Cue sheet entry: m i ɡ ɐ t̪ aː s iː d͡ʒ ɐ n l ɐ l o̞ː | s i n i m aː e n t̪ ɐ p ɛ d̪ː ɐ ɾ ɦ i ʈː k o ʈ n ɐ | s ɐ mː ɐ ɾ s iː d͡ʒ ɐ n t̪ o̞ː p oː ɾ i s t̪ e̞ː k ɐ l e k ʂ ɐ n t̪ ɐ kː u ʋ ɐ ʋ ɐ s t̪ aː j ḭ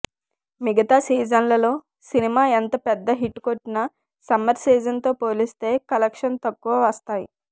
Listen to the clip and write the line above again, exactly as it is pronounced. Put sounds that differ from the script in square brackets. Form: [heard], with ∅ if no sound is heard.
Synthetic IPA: m i ɡ ɐ t̪ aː s iː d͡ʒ ɐ n l ɐ l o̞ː | s i n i m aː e n t̪ ɐ p ɛ d̪ː ɐ [∅] ɦ i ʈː k o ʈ n ɐ | s ɐ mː ɐ ɾ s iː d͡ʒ ɐ n t̪ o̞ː p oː [l] i s t̪ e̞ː k ɐ l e k ʂ ɐ n t̪ ɐ kː u ʋ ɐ ʋ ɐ s t̪ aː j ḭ

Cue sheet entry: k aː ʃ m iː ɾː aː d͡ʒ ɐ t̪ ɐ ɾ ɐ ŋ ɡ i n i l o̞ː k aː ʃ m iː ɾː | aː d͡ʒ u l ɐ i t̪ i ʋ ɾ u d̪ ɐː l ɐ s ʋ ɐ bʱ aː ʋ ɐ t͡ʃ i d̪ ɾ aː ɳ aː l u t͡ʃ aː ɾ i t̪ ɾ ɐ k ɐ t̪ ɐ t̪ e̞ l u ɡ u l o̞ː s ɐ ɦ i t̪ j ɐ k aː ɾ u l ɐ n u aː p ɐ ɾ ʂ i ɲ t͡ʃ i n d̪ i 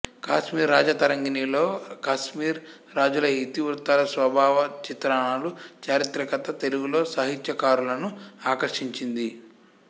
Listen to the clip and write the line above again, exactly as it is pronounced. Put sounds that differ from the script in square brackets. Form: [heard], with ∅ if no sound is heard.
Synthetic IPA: k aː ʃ m iː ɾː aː d͡ʒ ɐ t̪ ɐ ɾ ɐ ŋ ɡ i n i l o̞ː k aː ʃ m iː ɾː | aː d͡ʒ u l ɐ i t̪ i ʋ ɾ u [t̪] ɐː l ɐ s ʋ ɐ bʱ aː ʋ ɐ t͡ʃ i [t̪] ɾ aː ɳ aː l u t͡ʃ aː ɾ i t̪ ɾ ɐ k ɐ t̪ ɐ t̪ e̞ l u ɡ u l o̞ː s ɐ ɦ i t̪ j ɐ k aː ɾ u l ɐ n u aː [k] ɐ ɾ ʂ i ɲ t͡ʃ i n d̪ i

